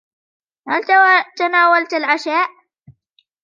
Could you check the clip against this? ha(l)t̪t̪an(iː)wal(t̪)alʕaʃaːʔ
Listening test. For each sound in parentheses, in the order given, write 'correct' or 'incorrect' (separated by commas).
correct, incorrect, correct